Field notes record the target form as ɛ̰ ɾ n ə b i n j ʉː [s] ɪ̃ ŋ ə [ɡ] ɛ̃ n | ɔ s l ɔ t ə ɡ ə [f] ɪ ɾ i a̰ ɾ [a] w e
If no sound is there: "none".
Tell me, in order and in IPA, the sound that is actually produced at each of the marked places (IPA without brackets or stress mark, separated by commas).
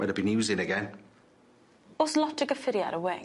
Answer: z, ɡ, f, ə